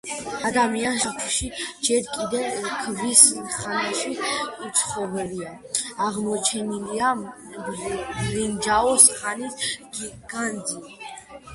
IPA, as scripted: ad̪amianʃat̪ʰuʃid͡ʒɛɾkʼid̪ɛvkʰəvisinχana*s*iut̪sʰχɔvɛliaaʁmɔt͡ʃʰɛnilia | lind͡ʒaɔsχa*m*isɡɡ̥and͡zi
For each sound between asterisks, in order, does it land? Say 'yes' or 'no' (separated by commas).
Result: no, no